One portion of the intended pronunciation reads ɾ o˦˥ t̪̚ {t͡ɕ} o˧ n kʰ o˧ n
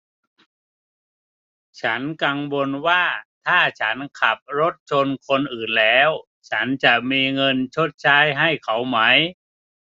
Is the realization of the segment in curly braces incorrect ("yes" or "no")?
yes